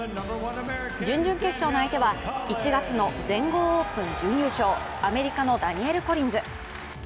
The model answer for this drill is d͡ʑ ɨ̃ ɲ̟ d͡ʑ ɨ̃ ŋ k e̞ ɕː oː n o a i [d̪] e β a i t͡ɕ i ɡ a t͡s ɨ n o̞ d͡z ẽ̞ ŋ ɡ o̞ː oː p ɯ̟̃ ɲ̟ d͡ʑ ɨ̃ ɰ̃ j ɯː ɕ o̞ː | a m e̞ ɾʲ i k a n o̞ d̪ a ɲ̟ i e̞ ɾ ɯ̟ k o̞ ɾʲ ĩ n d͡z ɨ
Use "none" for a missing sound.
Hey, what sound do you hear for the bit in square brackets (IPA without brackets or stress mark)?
t̪